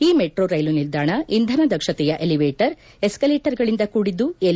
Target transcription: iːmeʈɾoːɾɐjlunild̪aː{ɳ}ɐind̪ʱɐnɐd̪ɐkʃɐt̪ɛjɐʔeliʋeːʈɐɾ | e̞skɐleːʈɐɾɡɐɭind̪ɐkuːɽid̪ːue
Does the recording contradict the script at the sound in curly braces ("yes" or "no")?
no